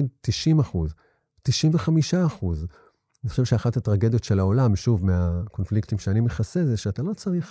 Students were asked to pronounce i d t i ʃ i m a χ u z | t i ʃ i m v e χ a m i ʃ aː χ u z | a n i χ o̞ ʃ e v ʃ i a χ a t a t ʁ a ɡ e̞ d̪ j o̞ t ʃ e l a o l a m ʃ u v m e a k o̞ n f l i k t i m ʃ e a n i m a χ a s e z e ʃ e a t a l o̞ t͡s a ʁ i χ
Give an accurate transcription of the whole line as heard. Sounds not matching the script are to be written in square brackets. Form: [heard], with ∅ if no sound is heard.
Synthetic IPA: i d t i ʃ i m a χ u z | t i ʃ i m v e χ a m i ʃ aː χ u z | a n i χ o̞ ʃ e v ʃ [e] a χ a t a t ʁ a ɡ e̞ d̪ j o̞ t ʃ e l a o l a m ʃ u v m e a k o̞ n f l i k t i m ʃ e a n i m [e] χ a s e z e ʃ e a t a l o̞ t͡s a ʁ i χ